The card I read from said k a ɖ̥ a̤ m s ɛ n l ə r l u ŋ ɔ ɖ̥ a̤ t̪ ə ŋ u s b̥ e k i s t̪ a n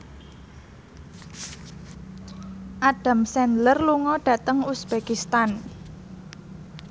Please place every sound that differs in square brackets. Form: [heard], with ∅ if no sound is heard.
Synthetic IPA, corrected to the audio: [ʔ] a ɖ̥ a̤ m s ɛ n l ə r l u ŋ ɔ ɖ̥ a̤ t̪ ə ŋ u s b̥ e k i s t̪ a n